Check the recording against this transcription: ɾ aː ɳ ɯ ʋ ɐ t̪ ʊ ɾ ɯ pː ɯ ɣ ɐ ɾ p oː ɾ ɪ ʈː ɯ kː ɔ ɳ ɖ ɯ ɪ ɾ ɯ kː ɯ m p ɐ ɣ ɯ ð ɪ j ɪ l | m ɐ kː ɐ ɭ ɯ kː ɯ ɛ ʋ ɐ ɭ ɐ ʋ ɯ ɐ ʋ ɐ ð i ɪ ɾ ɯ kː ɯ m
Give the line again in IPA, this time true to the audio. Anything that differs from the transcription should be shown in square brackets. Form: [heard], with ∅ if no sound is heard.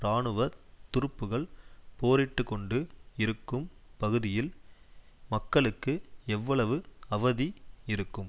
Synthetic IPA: ɾ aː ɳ ɯ ʋ ɐ t̪ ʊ ɾ ɯ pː ɯ ɣ ɐ [ɭ] p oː ɾ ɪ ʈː ɯ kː ɔ ɳ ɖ ɯ ɪ ɾ ɯ kː ɯ m p ɐ ɣ ɯ ð ɪ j ɪ l | m ɐ kː ɐ ɭ ɯ kː ɯ ɛ [ʋː] ɐ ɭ ɐ ʋ ɯ ɐ ʋ ɐ ð i ɪ ɾ ɯ kː ɯ m